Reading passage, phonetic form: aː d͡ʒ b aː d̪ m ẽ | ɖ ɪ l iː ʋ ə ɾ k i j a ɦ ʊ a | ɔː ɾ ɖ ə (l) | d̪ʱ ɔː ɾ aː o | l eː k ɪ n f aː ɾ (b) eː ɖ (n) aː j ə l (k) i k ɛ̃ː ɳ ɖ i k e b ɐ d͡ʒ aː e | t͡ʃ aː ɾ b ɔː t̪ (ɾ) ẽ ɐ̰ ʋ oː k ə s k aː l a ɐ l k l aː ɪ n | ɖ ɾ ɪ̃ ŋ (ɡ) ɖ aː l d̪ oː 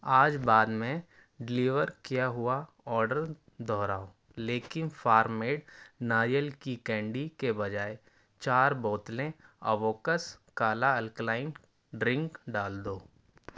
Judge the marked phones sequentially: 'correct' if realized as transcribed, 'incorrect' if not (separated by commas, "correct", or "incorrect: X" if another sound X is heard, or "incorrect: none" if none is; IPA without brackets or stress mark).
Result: incorrect: ɾ, incorrect: m, correct, correct, incorrect: l, incorrect: k